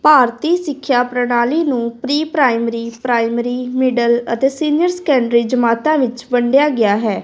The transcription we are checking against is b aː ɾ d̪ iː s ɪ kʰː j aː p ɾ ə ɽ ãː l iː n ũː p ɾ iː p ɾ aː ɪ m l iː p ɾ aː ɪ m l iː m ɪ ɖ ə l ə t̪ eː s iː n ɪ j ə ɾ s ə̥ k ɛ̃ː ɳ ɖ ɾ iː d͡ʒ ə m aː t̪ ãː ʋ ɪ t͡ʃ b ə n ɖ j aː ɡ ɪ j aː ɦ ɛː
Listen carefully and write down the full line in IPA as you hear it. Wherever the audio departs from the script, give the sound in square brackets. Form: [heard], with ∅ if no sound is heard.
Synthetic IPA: [p] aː ɾ [t̪] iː s ɪ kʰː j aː p ɾ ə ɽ [aː] l iː n ũː p ɾ iː p ɾ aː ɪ m [ɾ] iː p ɾ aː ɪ m [ɾ] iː m ɪ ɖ ə l ə t̪ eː s iː n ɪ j ə ɾ s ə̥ k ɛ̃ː ɳ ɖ ɾ iː d͡ʒ ə m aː t̪ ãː ʋ ɪ t͡ʃ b ə [ɳ] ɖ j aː ɡ ɪ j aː ɦ ɛː